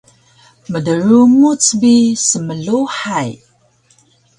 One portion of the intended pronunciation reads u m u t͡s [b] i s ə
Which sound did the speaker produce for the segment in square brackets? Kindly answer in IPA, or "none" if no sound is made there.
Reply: b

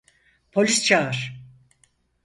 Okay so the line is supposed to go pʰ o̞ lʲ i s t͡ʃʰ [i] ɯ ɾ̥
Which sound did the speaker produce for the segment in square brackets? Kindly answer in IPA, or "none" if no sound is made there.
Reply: a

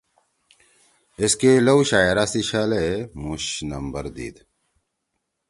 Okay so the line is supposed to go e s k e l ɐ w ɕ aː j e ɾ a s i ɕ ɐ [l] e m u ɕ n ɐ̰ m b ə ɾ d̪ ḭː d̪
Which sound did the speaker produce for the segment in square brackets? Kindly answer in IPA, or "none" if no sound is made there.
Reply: l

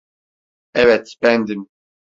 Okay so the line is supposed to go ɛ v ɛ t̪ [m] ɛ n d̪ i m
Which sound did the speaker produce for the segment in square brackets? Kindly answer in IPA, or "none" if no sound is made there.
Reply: b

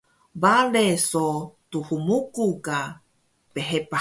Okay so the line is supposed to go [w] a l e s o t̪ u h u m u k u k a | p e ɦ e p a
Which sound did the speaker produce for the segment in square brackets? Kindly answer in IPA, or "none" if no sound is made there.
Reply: b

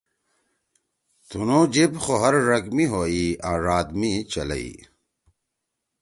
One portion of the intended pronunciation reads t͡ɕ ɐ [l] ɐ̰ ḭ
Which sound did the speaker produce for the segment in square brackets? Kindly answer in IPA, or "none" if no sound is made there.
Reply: l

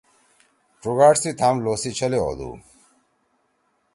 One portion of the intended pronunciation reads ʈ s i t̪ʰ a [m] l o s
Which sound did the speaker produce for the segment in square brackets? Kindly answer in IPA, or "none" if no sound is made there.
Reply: m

